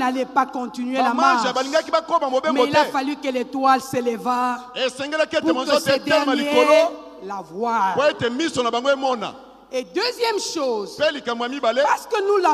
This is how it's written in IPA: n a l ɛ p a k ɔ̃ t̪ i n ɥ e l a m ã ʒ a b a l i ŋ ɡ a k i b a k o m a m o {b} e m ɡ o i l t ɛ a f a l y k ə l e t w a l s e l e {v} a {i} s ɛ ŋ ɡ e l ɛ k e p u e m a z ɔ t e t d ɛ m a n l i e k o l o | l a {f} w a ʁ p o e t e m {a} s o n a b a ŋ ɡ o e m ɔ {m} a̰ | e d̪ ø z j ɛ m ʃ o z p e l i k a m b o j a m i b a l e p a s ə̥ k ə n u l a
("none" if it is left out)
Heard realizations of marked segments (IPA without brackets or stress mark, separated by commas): b, v, e, v, i, n